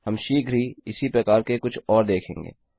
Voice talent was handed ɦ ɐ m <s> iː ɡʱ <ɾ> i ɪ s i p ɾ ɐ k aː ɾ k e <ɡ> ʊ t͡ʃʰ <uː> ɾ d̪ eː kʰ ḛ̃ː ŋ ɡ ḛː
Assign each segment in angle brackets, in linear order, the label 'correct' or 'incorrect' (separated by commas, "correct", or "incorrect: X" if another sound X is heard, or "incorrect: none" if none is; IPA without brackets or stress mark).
incorrect: ʃ, correct, incorrect: k, incorrect: ɔː